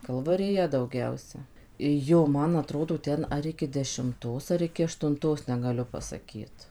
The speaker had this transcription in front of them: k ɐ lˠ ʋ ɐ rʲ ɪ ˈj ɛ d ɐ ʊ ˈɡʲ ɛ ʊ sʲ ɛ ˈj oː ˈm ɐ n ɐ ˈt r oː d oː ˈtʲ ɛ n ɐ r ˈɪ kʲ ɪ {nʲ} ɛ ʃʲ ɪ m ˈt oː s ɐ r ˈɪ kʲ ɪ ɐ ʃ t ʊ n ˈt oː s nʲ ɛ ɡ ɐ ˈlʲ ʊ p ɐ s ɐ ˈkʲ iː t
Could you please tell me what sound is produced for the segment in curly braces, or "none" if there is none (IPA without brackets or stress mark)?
dʲ